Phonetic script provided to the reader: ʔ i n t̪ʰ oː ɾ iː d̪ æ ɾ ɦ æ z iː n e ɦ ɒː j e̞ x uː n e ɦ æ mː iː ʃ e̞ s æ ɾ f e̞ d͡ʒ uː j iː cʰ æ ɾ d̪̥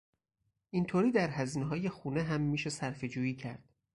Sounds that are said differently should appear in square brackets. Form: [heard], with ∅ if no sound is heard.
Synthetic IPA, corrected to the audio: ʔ i n t̪ʰ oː ɾ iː d̪ æ ɾ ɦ æ z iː n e ɦ ɒː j e̞ x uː n e ɦ æ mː iː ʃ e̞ s æ ɾ f e̞ d͡ʒ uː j iː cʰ æ ɾ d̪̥